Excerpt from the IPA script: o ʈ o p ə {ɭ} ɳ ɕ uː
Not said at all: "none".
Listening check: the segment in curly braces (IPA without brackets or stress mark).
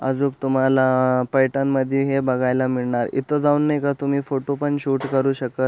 none